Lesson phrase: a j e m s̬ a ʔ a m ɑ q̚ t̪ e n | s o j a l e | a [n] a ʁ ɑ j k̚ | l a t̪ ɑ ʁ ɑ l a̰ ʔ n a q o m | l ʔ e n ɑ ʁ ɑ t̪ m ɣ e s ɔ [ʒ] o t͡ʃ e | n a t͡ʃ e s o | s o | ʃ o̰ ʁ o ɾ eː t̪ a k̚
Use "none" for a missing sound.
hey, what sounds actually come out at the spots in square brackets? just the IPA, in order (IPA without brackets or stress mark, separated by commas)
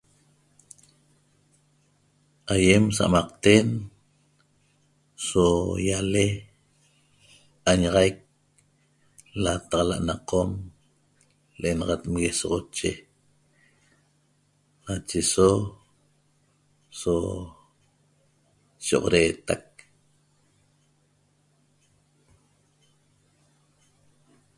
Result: ɲ, ʁ